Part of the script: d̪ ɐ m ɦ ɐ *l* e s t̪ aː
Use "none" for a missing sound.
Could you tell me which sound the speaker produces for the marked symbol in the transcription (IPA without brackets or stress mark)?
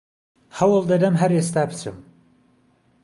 ɾ